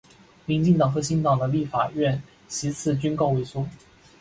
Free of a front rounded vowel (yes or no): no